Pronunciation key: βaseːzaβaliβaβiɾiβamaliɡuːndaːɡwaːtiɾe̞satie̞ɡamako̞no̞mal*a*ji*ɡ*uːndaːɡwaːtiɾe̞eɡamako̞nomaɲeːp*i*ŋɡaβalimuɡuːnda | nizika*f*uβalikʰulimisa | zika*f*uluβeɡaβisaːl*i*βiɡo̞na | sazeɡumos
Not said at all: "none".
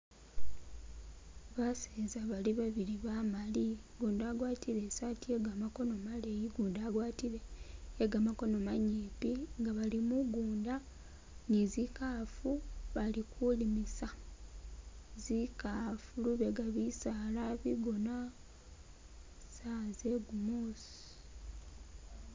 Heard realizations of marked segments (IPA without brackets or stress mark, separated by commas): e, ɡ, i, f, f, a